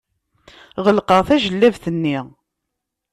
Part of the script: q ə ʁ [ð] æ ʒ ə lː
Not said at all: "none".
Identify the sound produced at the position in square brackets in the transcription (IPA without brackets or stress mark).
θ